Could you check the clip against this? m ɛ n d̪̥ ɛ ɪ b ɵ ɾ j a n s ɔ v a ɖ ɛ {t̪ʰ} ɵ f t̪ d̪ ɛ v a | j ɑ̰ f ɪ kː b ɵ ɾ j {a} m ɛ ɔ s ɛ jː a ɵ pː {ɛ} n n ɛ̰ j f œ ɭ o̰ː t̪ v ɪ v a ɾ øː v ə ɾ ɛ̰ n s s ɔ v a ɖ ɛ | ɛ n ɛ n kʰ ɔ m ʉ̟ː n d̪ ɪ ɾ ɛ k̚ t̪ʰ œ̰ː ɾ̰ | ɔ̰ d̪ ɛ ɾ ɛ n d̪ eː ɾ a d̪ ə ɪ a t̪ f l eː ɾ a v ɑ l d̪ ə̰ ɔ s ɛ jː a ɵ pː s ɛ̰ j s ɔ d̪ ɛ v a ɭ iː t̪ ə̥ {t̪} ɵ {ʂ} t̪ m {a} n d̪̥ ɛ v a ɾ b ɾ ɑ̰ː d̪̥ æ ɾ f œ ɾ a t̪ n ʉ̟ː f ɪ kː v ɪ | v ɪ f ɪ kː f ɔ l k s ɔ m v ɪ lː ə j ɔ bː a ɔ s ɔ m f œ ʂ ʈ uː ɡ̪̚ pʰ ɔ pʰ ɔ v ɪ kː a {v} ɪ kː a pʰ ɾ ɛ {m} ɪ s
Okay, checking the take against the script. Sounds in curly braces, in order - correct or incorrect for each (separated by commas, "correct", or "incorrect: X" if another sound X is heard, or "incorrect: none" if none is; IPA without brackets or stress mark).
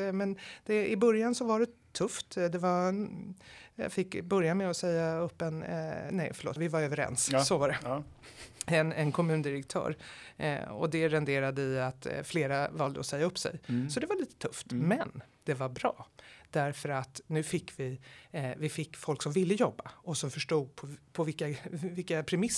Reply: correct, correct, correct, incorrect: t̪ʰ, incorrect: f, incorrect: ɛ, correct, correct